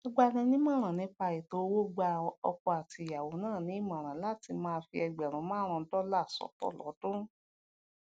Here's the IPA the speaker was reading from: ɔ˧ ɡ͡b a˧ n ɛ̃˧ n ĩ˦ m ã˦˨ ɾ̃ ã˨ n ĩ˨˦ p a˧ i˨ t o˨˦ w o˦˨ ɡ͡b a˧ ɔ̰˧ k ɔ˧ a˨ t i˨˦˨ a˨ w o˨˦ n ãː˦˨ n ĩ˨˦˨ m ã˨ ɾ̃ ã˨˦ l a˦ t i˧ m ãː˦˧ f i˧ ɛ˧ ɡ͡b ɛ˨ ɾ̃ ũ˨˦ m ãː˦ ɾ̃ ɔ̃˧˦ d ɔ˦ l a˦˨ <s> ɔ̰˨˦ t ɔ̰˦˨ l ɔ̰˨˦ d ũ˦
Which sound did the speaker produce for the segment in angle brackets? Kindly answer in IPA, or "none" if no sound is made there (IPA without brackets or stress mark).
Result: s